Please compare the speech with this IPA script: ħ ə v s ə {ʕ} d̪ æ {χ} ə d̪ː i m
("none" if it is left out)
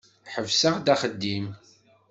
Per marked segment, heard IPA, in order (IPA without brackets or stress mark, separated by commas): ʁ, χ